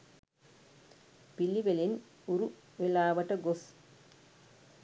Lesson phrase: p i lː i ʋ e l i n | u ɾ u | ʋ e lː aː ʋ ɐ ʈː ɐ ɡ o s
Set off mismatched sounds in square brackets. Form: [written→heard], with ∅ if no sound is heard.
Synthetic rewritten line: p i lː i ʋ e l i n | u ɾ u | ʋ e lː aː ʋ ɐ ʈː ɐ ɡ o s